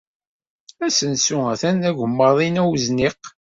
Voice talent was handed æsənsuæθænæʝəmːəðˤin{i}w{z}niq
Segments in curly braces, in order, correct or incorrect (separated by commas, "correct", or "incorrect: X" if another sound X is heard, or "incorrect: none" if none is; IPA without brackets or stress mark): incorrect: æ, correct